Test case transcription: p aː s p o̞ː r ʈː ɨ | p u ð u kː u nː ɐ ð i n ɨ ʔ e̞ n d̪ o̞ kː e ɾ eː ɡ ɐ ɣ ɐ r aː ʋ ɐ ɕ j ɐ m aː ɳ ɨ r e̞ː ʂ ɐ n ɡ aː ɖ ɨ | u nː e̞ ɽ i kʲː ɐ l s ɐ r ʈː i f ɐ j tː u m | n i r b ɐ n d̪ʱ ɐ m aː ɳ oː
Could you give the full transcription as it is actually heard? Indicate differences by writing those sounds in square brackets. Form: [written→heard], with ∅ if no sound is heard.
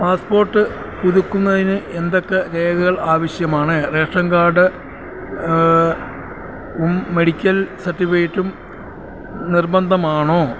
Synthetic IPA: p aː s p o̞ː r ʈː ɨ | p u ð u kː u nː ɐ ð i n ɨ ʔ e̞ n d̪ o̞ kː e ɾ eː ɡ ɐ ɣ ɐ [r→ɭ] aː ʋ ɐ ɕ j ɐ m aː ɳ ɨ r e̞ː ʂ ɐ [n→ŋ] ɡ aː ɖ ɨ | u [nː→mː] e̞ ɽ i kʲː ɐ l s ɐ r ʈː i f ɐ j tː u m | n i r b ɐ n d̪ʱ ɐ m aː ɳ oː